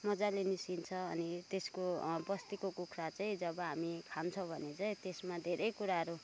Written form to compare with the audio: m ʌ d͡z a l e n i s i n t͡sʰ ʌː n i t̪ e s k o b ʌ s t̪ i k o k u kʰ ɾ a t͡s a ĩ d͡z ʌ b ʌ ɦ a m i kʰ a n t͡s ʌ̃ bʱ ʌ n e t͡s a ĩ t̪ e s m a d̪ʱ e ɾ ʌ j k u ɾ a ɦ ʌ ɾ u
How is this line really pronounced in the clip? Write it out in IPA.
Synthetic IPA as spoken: m ʌ d͡z a l e n i s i n t͡sʰ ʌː n i t̪ e s k o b ʌ s t̪ i k o k u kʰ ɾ a t͡s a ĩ d͡z ʌ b ʌ ɦ a m i kʰ a n t͡sʰ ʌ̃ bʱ ʌ n e t͡s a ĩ t̪ e s m a d̪ʱ e ɾ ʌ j k u ɾ a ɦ ʌ ɾ u